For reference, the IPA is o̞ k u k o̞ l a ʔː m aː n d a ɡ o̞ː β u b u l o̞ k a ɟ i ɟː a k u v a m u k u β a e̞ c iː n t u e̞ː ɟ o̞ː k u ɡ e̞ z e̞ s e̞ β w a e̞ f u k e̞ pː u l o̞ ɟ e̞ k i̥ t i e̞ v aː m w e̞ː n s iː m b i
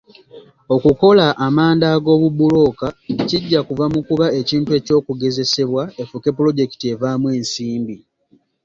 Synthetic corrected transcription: o̞ k u k o̞ l a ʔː m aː n d a ɡ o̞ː β u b u l o̞ k a c i ɟː a k u v a m u k u β a e̞ c iː n t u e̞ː c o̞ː k u ɡ e̞ z e̞ s e̞ β w a e̞ f u k e̞ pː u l o̞ ɟ e̞ k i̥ t i e̞ v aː m w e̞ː n s iː m b i